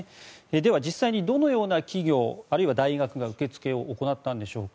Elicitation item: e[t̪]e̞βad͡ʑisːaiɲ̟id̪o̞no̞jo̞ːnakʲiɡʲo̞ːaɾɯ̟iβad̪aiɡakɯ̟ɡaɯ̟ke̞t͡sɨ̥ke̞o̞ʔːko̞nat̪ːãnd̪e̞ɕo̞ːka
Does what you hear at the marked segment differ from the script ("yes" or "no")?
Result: yes